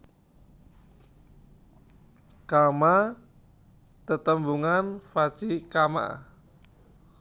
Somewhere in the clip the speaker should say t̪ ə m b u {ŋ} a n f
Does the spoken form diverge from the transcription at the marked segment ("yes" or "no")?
no